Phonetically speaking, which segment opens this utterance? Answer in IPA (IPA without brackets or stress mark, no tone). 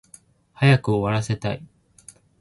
h